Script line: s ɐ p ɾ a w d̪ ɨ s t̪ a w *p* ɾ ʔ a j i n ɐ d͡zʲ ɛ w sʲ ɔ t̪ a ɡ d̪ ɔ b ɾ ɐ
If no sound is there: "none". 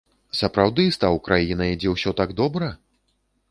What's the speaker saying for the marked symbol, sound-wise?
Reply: k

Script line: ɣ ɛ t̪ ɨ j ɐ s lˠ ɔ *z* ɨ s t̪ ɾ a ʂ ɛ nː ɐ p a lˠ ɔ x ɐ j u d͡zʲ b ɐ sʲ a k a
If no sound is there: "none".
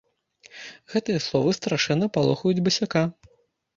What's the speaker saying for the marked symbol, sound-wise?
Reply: v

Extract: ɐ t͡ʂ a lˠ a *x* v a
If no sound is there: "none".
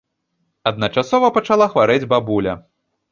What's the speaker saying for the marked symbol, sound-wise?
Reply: x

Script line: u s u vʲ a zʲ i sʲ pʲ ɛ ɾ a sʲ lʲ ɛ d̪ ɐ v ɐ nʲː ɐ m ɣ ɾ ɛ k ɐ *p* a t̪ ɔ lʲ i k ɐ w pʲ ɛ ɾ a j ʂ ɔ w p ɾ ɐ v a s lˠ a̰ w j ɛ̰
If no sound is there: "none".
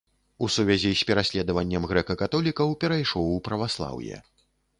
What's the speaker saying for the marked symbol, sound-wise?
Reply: k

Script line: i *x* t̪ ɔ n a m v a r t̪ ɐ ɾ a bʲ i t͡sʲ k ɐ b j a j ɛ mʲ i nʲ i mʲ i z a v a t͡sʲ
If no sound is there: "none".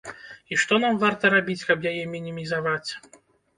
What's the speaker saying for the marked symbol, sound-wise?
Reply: ʂ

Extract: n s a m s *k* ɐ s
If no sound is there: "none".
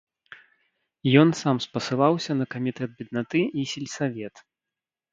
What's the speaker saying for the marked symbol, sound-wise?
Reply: p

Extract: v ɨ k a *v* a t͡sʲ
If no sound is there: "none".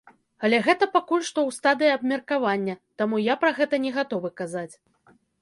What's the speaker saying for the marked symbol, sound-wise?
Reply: z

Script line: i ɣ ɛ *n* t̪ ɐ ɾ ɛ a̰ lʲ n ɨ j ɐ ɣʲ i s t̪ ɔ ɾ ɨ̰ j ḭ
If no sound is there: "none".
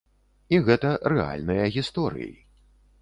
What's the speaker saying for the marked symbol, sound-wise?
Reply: none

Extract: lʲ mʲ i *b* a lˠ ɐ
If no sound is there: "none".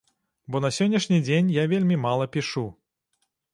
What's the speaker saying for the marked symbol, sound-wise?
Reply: m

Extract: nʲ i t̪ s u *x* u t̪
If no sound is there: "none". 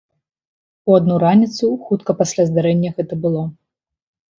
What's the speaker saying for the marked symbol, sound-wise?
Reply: x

